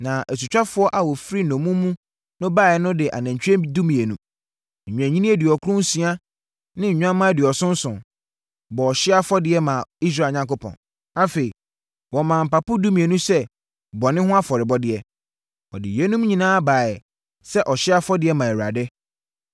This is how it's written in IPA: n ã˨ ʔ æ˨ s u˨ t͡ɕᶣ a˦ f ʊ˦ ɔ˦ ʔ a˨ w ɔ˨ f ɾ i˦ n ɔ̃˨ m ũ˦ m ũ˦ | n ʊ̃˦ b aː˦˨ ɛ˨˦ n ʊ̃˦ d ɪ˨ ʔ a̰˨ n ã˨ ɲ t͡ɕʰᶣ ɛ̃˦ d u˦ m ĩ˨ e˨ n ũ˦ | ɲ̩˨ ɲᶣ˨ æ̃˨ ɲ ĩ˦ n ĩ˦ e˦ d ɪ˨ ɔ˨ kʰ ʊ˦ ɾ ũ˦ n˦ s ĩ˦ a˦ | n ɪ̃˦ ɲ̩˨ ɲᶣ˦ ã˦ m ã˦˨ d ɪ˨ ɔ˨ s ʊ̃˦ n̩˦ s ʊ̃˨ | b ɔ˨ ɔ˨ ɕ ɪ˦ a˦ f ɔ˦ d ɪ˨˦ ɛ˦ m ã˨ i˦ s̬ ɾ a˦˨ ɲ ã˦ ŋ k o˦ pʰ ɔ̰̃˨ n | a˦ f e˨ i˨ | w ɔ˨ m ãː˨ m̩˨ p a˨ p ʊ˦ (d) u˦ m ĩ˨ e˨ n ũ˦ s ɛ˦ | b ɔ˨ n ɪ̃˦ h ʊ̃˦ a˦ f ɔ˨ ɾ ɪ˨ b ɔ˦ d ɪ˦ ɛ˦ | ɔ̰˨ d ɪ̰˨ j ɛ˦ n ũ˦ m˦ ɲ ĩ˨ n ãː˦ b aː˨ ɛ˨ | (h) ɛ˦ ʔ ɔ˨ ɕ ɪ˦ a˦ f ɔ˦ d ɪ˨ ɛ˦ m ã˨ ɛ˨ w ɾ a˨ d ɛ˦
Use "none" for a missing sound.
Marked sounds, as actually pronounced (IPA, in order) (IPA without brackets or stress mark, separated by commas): d, s